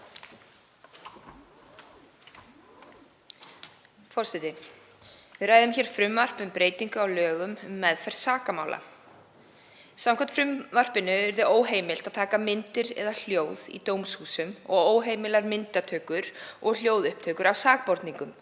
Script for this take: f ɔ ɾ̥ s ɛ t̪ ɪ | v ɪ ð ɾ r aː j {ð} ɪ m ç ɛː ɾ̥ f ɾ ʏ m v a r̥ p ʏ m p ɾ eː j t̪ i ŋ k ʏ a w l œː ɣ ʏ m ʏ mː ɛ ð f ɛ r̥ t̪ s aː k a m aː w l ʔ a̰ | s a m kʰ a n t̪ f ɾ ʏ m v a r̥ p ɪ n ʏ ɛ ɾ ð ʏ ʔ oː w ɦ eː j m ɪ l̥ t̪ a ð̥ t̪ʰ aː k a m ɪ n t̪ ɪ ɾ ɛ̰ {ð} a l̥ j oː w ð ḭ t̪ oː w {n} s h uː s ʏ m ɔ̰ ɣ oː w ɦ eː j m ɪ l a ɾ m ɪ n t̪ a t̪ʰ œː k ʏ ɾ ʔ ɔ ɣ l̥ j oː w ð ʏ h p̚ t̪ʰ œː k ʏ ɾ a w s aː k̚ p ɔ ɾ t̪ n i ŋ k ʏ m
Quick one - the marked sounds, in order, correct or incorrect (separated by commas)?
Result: correct, correct, incorrect